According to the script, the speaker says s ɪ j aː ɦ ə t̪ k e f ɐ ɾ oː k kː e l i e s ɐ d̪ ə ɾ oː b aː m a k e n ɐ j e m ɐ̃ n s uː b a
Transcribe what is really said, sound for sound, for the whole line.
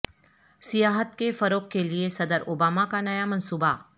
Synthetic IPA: s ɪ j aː ɦ ə t̪ k e f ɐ ɾ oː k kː e l i e s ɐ d̪ ə ɾ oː b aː m a k a n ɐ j a m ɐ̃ n s uː b a